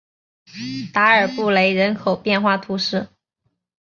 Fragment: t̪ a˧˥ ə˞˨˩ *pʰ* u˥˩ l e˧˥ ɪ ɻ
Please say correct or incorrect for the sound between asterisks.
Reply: incorrect